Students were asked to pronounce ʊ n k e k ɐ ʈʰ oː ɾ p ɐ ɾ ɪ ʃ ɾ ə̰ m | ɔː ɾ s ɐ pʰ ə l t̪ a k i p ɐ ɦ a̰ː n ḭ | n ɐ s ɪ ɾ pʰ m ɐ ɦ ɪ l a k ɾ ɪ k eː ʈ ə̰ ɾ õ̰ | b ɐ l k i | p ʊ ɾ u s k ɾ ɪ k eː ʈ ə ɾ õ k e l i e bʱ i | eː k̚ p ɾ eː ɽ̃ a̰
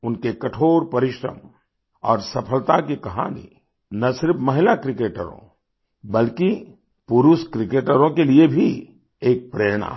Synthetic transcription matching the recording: ʊ n k e k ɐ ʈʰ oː ɾ p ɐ ɾ ɪ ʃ ɾ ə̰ m | ɔː ɾ s ɐ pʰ ə l t̪ a k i k ɐ ɦ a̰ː n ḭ | n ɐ s ɪ ɾ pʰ m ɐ ɦ ɪ l a k ɾ ɪ k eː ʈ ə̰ ɾ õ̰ | b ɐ l k i | p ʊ ɾ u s k ɾ ɪ k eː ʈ ə ɾ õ k e l i e bʱ i | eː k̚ p ɾ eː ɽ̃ a̰